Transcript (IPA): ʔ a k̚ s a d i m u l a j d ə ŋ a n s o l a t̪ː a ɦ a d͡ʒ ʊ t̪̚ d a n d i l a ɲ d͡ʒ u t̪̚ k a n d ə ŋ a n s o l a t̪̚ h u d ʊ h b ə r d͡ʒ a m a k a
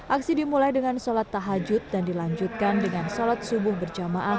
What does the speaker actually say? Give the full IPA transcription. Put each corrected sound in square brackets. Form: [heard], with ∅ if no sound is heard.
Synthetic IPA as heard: ʔ a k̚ s [i] d i m u l a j d ə ŋ a n s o l a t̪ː a ɦ a d͡ʒ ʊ t̪̚ d a n d i l a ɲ d͡ʒ u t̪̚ k a n d ə ŋ a n s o l a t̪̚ [s] u [b] ʊ h b ə r d͡ʒ a m a [ʔ] a